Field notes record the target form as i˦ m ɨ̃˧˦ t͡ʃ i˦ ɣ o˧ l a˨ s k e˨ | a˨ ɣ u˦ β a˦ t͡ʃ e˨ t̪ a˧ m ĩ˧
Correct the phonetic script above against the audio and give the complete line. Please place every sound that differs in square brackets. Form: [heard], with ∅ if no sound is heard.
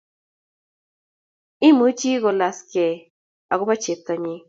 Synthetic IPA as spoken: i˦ m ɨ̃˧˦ t͡ʃ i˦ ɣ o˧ l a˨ s k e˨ | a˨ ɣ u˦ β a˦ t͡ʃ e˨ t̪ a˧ [ɲ] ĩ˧